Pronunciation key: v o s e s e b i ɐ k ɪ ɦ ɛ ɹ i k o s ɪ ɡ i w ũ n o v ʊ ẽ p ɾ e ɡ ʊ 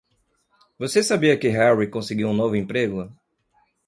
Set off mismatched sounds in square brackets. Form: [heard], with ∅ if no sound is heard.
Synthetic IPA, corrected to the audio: v o s e s [a] b i ɐ k ɪ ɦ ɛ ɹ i k [õ] s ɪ ɡ i w ũ n o v ʊ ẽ p ɾ e ɡ ʊ